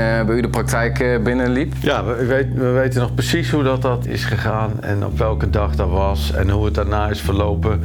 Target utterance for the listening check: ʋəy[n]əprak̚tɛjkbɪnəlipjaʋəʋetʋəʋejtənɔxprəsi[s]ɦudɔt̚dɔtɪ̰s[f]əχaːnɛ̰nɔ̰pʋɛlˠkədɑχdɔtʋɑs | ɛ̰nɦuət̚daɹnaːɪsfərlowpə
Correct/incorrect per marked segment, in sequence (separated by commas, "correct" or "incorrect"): incorrect, correct, incorrect